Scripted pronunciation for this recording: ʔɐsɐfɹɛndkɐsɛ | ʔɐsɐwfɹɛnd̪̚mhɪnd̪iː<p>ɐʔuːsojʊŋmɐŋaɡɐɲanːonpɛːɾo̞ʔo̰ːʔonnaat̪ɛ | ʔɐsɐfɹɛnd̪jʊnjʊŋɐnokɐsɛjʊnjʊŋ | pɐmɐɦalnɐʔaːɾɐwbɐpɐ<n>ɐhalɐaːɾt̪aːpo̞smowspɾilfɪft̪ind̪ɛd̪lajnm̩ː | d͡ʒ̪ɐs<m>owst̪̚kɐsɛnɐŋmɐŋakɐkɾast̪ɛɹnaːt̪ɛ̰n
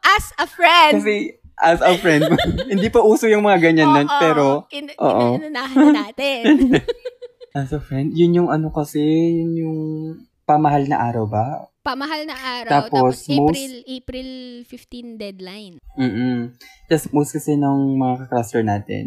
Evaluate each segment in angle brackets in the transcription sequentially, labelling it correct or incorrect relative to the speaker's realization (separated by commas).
correct, incorrect, correct